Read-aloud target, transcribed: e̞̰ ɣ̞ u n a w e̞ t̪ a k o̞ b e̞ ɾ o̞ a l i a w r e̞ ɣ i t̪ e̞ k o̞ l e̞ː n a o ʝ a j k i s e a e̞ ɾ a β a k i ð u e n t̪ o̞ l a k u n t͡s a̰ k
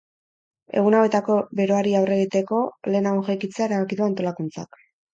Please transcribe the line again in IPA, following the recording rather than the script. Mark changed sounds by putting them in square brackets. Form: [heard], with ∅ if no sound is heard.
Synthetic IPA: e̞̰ ɣ̞ u n a w e̞ t̪ a k o̞ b e̞ ɾ o̞ a [ɾ] i a w r e̞ ɣ i t̪ e̞ k o̞ l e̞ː n a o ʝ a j k i [t͡s] e a e̞ ɾ a β a k i ð u [a] n t̪ o̞ l a k u n t͡s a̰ k